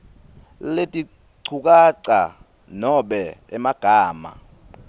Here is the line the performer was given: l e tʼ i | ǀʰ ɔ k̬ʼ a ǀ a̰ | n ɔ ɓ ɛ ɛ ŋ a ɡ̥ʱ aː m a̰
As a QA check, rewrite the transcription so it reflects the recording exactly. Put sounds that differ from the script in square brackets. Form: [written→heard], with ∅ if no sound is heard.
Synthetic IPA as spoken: l e tʼ i | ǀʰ [ɔ→u] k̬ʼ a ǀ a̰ | n ɔ ɓ ɛ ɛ [ŋ→m] a ɡ̥ʱ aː m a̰